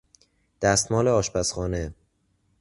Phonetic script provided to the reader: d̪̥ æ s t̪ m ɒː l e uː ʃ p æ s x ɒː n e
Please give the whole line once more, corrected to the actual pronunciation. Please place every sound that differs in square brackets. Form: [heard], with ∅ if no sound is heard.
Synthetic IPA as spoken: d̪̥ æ s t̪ m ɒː l e [ɒː] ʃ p æ s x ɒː n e